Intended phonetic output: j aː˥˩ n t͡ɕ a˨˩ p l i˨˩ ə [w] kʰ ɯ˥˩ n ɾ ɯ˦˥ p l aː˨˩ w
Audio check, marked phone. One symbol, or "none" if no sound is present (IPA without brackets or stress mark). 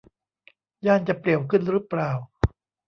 w